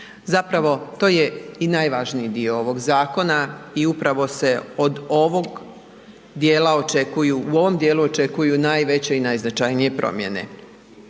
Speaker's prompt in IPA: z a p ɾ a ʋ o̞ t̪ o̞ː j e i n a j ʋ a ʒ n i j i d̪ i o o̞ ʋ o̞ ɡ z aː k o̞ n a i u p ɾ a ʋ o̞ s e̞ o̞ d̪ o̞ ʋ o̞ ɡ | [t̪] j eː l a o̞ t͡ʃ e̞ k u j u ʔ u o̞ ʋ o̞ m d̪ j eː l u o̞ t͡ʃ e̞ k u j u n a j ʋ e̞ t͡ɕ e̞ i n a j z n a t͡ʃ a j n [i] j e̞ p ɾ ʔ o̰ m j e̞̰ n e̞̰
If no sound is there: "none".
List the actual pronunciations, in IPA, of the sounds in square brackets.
d̪, i

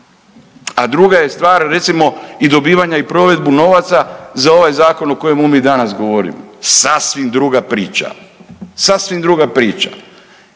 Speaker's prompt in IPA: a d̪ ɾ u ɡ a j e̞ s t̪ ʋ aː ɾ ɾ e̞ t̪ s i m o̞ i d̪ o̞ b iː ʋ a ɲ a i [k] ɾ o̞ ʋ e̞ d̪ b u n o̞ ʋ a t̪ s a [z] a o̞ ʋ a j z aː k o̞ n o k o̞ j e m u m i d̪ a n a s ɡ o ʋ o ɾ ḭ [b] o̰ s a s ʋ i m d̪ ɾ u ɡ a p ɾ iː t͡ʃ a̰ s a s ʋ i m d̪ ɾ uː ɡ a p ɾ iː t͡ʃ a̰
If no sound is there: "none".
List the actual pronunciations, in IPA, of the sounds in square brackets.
p, z, m

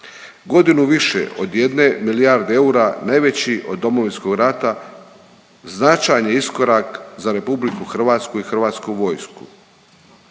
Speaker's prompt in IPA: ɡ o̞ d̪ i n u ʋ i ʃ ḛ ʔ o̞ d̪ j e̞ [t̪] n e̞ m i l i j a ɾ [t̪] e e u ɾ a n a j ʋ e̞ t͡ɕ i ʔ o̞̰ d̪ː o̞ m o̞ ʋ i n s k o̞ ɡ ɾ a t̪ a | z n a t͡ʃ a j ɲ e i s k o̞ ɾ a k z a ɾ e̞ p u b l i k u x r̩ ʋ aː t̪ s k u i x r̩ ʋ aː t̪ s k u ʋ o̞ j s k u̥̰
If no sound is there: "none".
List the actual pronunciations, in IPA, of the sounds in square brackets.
d̪, d̪

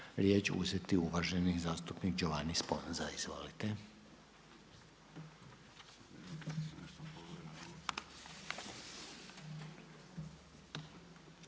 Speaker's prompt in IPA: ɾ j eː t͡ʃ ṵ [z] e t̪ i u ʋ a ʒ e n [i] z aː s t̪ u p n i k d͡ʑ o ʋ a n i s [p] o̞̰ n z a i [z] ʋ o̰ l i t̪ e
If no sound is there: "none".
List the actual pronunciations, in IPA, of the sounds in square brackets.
z, i, p, z

